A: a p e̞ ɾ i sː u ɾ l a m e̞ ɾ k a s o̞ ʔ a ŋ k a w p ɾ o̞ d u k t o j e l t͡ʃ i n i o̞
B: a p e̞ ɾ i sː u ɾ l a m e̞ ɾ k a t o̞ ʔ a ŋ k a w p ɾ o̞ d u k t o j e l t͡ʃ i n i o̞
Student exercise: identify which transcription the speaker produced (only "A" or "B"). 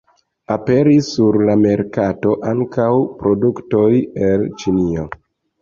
B